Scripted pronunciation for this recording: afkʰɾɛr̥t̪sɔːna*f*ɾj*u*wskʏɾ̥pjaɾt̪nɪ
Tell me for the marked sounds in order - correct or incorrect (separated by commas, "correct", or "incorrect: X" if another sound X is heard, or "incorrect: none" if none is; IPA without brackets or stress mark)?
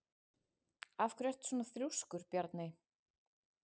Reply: incorrect: θ, correct